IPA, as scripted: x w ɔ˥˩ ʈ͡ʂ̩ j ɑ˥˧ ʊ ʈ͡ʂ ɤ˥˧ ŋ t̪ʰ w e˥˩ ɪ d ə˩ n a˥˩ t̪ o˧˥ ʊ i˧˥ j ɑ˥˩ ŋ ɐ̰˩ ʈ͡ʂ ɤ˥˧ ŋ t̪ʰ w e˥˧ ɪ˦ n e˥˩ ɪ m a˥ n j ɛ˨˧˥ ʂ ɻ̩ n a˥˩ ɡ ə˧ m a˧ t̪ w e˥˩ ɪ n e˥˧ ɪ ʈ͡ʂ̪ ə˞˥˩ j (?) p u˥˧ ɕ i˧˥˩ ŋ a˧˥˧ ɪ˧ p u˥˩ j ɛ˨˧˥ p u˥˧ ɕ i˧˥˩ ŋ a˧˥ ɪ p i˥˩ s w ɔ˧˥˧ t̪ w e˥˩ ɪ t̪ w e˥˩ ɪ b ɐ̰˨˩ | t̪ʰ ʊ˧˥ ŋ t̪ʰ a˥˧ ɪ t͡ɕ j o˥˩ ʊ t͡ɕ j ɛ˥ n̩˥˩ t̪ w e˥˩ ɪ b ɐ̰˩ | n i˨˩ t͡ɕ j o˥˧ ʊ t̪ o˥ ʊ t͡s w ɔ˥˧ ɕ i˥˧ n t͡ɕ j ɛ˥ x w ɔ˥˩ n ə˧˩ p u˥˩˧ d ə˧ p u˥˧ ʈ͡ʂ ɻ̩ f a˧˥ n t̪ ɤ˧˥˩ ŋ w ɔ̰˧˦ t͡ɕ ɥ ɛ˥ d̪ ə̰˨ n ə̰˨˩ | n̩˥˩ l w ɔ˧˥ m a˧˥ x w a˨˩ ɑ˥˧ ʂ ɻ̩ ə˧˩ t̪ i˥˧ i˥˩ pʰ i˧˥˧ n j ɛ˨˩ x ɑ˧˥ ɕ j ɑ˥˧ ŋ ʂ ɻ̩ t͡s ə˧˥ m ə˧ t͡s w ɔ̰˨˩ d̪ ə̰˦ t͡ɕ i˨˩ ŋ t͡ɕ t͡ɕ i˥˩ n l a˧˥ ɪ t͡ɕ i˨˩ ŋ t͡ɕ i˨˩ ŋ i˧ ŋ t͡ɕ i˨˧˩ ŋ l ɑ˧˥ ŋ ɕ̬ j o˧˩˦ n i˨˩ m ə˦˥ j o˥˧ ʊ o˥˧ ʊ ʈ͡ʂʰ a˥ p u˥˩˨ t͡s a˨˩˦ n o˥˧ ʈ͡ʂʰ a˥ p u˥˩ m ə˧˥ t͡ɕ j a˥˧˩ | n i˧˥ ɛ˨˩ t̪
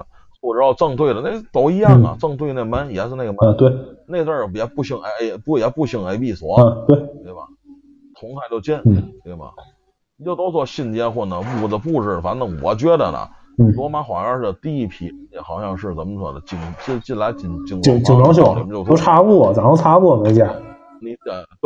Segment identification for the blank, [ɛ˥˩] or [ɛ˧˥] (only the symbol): ɛ˧˥